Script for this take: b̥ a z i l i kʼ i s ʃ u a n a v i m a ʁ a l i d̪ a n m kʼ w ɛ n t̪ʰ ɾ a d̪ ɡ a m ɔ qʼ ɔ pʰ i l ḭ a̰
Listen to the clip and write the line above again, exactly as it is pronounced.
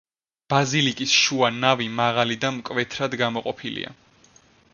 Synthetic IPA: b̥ a z i l i kʼ i s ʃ u a n a v i m a ʁ a l i d̪ a m kʼ v ɛ t̪ʰ ɾ a d̪ ɡ a m ɔ qʼ ɔ pʰ i l ḭ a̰